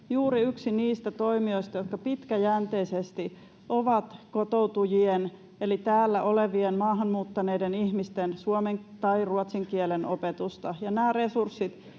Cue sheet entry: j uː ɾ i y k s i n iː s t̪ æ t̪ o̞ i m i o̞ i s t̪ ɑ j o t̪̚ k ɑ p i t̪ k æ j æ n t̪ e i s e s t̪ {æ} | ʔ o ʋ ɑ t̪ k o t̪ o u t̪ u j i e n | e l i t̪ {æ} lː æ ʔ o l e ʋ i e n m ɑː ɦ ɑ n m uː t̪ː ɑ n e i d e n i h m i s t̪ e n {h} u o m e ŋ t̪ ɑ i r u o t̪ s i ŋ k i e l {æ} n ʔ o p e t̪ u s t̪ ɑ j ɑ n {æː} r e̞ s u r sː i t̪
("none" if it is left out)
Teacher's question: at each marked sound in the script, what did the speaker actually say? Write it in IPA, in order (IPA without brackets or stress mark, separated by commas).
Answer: i, æː, s, e, æː